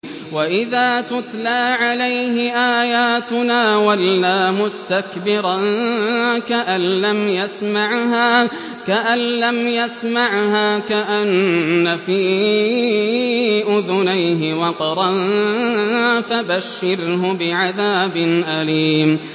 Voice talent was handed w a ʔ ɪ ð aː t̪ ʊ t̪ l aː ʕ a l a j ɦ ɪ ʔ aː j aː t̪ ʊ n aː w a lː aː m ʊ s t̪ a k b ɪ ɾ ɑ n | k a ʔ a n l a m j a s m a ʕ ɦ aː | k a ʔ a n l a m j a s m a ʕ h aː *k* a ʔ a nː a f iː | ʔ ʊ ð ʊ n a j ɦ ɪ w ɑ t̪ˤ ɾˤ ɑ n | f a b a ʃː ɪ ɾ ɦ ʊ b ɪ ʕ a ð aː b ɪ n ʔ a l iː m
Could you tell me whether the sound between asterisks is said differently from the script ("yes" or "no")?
no